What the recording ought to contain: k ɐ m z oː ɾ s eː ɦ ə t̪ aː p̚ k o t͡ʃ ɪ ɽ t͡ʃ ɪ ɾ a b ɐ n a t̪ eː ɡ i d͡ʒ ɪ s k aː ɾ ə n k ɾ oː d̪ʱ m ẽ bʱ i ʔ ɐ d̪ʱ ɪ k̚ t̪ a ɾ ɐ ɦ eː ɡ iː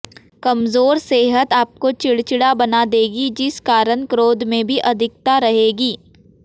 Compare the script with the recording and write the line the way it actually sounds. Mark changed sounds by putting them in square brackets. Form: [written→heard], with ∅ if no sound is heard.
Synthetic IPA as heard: k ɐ m z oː ɾ s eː ɦ ə t̪ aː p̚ k o t͡ʃ ɪ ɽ t͡ʃ ɪ [ɾ→ɽ] a b ɐ n a [t̪→d̪] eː ɡ i d͡ʒ ɪ s k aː ɾ ə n k ɾ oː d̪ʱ m ẽ bʱ i ʔ ɐ d̪ʱ ɪ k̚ t̪ a ɾ ɐ ɦ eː ɡ iː